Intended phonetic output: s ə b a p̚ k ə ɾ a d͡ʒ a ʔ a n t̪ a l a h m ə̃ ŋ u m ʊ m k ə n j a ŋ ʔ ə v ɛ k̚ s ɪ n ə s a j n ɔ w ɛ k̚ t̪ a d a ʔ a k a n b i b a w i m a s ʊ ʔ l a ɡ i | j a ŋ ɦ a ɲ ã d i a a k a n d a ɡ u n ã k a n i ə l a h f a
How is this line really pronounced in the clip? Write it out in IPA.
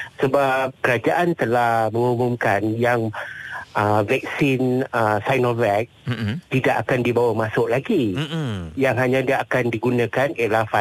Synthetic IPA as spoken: s ə b a p̚ k ə ɾ a d͡ʒ a ʔ a n t̪ ə l a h m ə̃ ŋ u m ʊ m k a n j a ŋ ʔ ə v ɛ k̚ s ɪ n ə s a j n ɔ v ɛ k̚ t̪ i d a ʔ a k a n d i b a w a m a s ʊ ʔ l a ɡ i | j a ŋ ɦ a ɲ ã d i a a k a n d i ɡ u n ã k a n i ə l a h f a